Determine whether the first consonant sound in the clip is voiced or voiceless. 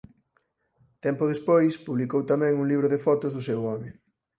voiceless